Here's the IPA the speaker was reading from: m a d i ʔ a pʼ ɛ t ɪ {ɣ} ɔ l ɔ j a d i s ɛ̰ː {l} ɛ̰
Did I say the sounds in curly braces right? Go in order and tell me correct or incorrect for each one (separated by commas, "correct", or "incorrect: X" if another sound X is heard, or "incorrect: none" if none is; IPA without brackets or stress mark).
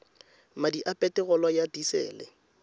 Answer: correct, correct